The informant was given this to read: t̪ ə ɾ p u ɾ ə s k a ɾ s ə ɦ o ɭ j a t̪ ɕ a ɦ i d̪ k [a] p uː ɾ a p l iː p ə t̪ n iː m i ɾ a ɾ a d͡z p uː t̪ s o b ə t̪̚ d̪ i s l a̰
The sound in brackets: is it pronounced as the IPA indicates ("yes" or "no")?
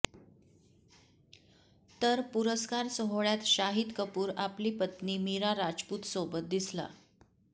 no